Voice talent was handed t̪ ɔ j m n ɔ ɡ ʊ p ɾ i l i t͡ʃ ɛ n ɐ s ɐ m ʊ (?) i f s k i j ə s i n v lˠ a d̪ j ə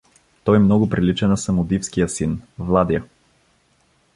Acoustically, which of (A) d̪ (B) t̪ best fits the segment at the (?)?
A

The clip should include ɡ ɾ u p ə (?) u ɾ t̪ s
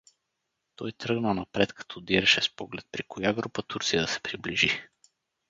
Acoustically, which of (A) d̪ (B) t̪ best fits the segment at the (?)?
B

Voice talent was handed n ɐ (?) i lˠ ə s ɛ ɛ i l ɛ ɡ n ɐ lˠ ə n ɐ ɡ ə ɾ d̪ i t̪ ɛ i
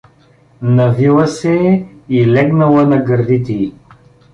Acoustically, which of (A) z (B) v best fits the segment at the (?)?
B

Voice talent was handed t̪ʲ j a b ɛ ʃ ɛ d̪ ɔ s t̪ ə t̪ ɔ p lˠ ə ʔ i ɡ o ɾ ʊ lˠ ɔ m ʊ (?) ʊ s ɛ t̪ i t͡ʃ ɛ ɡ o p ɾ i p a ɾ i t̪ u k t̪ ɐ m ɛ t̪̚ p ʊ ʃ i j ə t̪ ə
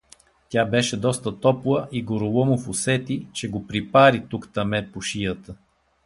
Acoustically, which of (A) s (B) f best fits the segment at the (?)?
B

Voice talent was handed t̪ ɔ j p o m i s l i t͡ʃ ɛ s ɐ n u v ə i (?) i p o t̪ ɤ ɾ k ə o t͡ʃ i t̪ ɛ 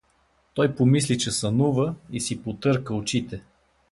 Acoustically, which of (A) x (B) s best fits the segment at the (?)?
B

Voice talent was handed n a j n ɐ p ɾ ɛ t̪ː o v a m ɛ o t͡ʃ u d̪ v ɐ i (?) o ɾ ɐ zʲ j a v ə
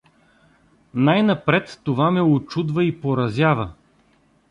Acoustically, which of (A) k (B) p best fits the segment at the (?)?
B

